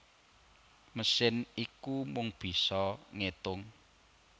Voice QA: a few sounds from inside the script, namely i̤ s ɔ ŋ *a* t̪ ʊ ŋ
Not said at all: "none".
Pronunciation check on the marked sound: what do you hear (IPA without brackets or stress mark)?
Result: e